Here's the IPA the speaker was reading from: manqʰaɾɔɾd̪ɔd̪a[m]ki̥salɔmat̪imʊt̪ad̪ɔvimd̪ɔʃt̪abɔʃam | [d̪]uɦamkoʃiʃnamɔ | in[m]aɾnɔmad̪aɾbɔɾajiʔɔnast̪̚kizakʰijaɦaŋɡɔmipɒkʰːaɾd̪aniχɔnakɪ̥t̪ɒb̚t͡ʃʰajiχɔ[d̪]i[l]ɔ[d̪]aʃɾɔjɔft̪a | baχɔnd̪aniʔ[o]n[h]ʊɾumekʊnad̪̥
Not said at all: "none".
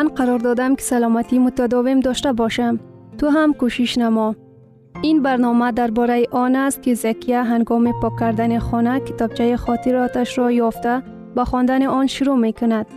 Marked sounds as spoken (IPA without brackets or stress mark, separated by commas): m, t̪, b, t̪, ɾ, t̪, ɔ, ʃ